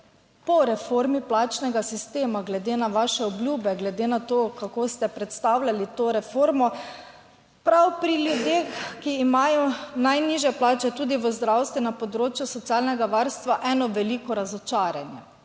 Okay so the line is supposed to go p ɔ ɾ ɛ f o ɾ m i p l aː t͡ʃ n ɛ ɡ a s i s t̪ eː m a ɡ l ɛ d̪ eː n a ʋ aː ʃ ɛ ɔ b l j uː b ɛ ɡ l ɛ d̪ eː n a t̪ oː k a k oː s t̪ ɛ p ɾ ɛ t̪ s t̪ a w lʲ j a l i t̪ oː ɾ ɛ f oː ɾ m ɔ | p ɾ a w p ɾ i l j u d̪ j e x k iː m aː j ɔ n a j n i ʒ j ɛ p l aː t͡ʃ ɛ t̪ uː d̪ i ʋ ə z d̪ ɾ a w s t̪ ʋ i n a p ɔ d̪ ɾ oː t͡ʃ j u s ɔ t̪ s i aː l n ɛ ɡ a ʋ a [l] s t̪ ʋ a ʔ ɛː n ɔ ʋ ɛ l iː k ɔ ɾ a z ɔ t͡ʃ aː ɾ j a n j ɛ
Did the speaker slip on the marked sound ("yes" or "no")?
yes